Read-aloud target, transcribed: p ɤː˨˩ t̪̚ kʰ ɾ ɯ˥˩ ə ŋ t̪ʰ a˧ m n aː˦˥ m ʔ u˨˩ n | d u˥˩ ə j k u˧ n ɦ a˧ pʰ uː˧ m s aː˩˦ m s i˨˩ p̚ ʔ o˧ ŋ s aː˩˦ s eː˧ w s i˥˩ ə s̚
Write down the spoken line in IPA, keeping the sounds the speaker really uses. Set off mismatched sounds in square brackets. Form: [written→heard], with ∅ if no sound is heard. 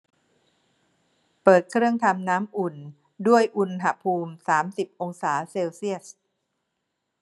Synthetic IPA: p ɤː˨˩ t̪̚ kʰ ɾ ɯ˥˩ ə ŋ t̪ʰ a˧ m n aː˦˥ m ʔ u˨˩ n | d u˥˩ ə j [k→ʔ] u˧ n ɦ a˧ pʰ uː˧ m s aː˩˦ m s i˨˩ p̚ ʔ o˧ ŋ s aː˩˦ s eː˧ w s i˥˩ ə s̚